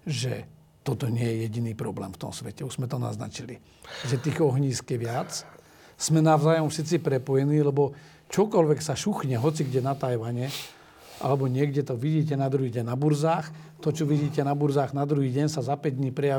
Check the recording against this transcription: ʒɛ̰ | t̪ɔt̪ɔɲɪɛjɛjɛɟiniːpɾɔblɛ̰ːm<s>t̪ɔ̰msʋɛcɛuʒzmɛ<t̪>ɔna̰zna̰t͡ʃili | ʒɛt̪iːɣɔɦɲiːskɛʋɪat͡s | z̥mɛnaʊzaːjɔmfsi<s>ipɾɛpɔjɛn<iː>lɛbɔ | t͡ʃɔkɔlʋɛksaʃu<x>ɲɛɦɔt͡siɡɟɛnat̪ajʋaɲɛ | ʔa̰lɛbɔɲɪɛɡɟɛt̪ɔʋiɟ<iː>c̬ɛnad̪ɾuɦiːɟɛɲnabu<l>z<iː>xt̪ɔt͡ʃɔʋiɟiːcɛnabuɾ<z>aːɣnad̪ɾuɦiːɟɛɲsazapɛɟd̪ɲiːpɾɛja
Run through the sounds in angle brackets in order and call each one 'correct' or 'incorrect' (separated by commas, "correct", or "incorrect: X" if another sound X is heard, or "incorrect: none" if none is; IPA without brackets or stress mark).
incorrect: f, correct, incorrect: t͡s, correct, correct, correct, incorrect: ɾ, incorrect: aː, correct